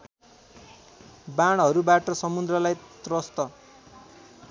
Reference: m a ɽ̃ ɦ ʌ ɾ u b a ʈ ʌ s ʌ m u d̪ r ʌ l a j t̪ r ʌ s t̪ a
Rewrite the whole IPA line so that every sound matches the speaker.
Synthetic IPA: b a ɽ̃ ɦ ʌ ɾ u b a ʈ ʌ s ʌ m u d̪ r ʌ l a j t̪ r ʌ s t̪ ʌ